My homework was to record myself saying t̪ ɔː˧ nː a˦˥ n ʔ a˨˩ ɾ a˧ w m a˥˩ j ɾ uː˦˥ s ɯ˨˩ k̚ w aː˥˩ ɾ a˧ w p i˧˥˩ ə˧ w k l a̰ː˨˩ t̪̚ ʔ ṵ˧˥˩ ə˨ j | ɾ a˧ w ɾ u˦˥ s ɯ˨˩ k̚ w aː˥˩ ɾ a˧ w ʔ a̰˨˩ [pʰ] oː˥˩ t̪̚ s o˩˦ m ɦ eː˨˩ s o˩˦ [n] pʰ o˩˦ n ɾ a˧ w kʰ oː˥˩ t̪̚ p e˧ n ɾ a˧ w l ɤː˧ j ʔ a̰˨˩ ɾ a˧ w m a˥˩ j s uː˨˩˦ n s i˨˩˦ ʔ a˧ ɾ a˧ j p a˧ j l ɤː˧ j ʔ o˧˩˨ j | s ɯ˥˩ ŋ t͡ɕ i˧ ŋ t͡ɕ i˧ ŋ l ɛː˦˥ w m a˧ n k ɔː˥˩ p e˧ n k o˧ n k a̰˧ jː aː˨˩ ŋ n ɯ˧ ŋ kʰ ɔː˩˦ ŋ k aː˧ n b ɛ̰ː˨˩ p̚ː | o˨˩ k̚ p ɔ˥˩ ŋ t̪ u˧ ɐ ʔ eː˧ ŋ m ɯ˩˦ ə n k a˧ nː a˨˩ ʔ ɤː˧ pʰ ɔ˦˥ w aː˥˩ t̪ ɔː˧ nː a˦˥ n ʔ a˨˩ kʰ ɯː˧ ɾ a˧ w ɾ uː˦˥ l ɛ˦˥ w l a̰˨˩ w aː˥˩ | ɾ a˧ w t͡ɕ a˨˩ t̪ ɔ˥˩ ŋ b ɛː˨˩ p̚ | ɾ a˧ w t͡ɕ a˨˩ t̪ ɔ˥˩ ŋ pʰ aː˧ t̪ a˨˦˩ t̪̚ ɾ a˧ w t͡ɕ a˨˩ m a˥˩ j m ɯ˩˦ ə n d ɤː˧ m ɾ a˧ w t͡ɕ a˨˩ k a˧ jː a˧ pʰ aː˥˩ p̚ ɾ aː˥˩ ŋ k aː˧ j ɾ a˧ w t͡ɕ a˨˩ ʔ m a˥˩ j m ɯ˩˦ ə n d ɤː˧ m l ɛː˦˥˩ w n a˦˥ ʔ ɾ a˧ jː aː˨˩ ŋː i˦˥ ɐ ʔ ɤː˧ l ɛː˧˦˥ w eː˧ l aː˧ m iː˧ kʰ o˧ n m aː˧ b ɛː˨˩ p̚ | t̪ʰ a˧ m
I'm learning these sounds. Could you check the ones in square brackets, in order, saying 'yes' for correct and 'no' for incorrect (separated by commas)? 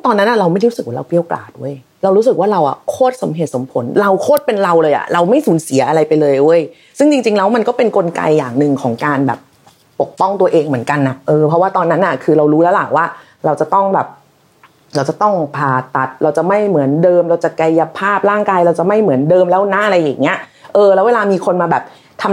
no, no